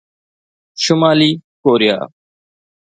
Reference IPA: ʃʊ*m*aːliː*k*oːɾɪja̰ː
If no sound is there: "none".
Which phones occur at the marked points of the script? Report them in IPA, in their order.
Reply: m, k

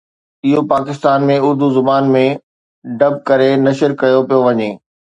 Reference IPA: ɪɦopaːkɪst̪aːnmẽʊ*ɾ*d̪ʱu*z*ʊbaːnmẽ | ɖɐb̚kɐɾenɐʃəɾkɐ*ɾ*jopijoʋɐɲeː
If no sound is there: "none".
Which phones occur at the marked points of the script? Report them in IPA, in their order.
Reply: ɾ, z, none

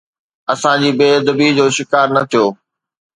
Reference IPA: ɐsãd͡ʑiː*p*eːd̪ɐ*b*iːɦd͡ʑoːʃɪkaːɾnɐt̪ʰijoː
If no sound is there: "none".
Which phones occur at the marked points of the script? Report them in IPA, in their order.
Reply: b, b

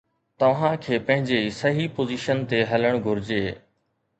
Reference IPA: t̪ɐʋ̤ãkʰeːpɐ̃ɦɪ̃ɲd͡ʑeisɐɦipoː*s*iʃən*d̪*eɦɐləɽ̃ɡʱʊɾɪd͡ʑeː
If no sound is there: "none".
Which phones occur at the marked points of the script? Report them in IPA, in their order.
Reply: z, t̪

